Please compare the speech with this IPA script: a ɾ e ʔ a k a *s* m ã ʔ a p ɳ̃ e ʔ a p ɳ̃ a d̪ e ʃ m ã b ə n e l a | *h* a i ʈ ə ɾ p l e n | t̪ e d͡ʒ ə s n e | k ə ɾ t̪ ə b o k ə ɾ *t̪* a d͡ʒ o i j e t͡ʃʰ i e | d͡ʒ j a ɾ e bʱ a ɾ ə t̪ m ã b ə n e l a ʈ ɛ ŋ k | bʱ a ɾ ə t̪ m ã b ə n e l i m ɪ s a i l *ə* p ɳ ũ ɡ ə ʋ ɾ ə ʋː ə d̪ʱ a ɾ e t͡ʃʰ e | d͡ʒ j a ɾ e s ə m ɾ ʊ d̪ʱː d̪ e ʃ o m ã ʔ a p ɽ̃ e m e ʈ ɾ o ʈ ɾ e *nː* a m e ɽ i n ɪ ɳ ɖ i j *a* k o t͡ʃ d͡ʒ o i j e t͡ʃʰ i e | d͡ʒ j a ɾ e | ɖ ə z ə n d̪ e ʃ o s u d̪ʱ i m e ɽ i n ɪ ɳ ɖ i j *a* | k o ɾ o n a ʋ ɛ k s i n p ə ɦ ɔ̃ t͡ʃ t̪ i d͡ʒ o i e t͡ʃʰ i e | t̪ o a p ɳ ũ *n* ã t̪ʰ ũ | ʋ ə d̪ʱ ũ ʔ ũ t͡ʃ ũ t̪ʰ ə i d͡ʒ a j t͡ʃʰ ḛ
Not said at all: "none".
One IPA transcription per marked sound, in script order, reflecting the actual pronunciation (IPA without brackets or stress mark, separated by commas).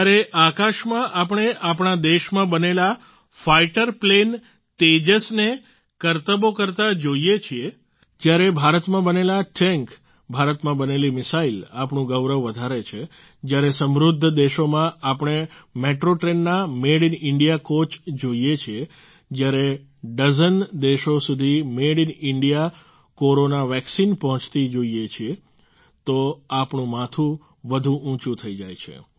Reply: ʃ, f, t̪, a, nː, a, a, m